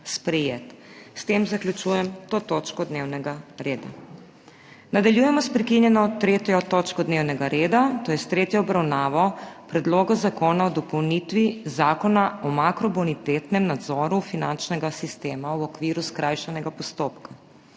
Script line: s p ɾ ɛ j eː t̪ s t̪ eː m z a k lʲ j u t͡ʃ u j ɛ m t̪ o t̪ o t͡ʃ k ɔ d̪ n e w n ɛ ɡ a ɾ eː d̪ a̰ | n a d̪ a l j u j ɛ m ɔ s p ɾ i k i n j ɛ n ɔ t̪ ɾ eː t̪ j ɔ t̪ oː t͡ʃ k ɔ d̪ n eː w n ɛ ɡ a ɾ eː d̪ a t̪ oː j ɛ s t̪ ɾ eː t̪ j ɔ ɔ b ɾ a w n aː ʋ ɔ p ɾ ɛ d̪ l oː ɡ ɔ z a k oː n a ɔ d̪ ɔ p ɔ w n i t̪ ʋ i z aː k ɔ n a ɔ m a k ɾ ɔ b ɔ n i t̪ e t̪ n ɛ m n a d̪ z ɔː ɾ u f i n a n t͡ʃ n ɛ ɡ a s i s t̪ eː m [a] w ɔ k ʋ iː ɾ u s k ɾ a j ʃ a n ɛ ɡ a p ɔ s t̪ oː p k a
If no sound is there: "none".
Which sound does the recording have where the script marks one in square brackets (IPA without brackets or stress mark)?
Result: a